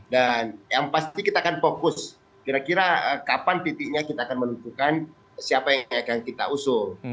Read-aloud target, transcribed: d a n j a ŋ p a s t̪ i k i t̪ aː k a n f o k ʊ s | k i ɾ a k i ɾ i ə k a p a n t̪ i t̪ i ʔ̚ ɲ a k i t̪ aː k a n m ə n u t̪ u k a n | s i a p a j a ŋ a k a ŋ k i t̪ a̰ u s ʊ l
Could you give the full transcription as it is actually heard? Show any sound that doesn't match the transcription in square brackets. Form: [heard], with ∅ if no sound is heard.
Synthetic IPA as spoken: d a n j a ŋ p a s t̪ i k i t̪ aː k a n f o k ʊ s | k i ɾ a k i ɾ [a] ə k a p a n t̪ i t̪ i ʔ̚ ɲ a k i t̪ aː k a n m ə n u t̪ u k a n | s i a p a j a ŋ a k a ŋ k i t̪ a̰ u s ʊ l